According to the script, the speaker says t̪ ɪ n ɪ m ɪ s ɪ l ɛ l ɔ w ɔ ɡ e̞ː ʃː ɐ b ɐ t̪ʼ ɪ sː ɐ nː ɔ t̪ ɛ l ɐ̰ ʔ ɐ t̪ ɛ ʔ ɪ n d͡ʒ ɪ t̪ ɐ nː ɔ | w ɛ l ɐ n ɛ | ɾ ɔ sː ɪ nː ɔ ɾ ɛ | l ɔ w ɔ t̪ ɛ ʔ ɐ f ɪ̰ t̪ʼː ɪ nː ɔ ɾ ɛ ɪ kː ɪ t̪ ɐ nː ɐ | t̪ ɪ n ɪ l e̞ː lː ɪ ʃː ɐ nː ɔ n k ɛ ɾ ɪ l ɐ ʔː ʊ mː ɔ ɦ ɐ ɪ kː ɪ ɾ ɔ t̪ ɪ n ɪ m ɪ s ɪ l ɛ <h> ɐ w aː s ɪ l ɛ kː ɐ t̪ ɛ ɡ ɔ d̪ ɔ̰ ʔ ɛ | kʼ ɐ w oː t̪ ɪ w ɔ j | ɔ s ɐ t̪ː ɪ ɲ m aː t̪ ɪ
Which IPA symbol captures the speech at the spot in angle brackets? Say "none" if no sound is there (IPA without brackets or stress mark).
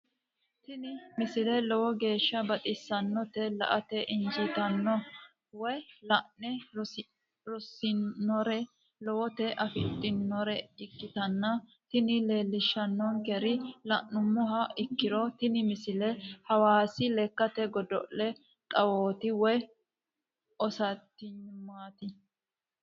h